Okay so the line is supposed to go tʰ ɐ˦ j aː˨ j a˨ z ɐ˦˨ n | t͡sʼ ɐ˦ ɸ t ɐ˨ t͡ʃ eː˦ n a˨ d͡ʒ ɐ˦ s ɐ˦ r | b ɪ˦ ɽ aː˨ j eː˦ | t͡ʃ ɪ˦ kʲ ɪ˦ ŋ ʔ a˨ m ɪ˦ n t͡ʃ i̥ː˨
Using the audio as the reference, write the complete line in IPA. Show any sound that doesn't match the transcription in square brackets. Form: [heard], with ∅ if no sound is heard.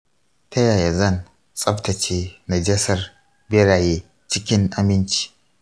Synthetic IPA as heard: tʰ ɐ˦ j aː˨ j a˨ z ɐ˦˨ n | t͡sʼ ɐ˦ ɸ t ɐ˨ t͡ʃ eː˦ n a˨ d͡ʒ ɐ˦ s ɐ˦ r | b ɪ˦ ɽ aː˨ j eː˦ | t͡ʃ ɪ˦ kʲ ɪ˦ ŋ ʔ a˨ m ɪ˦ n t͡ʃ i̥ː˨